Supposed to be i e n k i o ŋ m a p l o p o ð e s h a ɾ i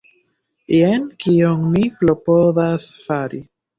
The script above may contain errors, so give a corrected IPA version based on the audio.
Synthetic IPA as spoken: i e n k i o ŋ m i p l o p o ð a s f a ɾ i